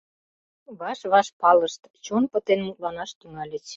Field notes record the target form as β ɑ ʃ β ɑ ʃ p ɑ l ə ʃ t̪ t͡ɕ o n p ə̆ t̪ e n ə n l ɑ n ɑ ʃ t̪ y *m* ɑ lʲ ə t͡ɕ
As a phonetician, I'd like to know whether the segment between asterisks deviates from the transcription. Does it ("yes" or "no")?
yes